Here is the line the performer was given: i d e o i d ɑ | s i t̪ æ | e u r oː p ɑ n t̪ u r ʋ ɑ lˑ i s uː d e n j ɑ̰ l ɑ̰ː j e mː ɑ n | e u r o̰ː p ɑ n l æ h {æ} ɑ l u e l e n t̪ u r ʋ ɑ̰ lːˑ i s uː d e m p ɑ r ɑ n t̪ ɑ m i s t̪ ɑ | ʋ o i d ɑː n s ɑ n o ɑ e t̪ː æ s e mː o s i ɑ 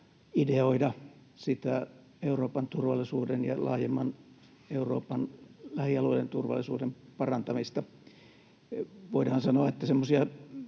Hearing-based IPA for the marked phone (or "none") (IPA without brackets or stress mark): i